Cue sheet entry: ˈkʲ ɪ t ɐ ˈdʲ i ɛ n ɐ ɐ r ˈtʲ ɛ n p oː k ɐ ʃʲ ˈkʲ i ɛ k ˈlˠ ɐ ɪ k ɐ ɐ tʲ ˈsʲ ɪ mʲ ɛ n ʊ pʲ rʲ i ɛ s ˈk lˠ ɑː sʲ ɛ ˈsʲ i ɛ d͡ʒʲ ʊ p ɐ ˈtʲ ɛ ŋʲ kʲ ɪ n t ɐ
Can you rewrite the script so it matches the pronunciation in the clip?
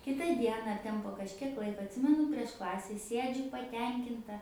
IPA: ˈkʲ ɪ t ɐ ˈdʲ i ɛ n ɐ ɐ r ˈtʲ ɛ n p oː k ɐ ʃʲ ˈkʲ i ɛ k ˈlˠ ɐ ɪ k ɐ ɐ tʲ ˈsʲ ɪ mʲ ɛ n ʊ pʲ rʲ i ɛ ʃ ˈk lˠ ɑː sʲ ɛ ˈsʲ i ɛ d͡ʒʲ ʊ p ɐ ˈtʲ ɛ ŋʲ kʲ ɪ n t ɐ